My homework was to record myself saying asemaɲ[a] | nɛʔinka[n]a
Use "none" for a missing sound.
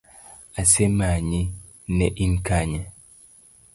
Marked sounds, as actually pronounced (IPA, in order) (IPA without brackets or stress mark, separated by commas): i, ɲ